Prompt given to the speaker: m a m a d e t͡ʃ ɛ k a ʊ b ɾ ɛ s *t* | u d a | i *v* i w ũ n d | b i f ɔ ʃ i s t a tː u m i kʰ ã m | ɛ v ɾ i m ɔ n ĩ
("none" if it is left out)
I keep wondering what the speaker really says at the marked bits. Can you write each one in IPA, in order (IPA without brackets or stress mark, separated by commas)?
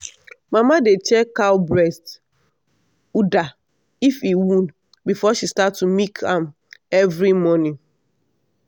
t, f